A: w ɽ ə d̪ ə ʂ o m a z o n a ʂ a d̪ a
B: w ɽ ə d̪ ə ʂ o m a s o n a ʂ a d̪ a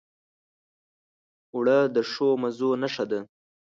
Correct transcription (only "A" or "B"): A